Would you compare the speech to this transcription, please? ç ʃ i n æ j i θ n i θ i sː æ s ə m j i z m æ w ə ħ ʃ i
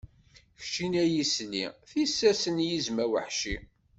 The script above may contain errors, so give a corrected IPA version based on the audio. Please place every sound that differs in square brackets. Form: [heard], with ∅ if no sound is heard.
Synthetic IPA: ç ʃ i n æ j i [s] n i θ i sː æ s ə [n] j i z m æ w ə ħ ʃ i